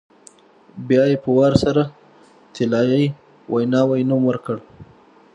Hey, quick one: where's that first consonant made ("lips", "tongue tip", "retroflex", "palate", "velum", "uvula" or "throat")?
lips